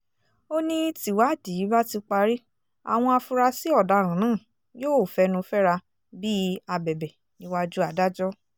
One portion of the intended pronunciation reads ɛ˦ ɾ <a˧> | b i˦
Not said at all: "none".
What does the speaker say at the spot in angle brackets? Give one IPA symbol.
a˧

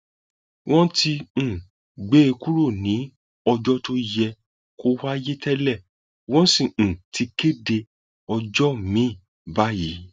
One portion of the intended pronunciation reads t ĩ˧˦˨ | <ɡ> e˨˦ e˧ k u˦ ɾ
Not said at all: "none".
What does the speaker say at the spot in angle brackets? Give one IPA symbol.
ɡ͡b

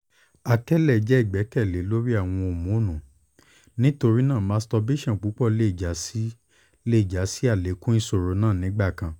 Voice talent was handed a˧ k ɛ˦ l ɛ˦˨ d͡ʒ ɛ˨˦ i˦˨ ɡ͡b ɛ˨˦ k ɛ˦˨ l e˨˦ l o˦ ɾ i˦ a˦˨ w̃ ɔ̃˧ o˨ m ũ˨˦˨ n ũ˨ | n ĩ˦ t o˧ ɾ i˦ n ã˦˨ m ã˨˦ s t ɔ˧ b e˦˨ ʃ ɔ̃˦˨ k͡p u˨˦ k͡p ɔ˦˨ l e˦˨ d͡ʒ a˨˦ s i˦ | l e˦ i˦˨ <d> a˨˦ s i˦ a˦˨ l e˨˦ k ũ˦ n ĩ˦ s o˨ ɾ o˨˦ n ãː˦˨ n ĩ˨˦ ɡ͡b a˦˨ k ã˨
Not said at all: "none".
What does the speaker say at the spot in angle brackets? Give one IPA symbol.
d͡ʒ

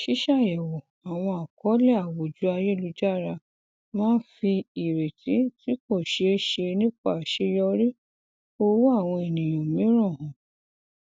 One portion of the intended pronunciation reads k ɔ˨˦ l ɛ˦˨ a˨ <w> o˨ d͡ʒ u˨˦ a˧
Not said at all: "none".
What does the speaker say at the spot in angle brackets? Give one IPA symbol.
w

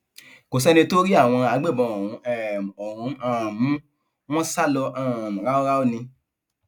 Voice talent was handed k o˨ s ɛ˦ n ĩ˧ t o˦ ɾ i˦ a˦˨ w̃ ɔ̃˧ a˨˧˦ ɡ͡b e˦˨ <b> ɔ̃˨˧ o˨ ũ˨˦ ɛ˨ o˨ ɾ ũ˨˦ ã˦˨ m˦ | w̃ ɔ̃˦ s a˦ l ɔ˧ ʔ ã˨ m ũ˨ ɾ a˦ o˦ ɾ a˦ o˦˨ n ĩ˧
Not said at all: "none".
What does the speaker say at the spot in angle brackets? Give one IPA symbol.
b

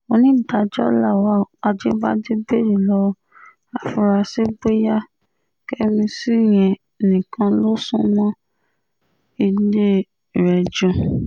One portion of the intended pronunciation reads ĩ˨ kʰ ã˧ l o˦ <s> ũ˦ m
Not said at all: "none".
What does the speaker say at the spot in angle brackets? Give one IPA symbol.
s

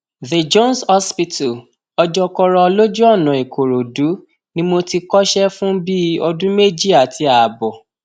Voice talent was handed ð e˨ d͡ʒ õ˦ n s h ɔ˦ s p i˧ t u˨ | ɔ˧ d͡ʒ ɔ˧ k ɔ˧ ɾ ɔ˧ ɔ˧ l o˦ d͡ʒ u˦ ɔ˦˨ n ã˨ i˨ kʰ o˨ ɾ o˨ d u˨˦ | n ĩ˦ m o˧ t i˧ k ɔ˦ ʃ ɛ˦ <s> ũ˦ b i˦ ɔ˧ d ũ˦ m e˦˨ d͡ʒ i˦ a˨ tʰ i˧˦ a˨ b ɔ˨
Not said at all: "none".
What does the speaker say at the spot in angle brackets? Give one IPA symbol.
f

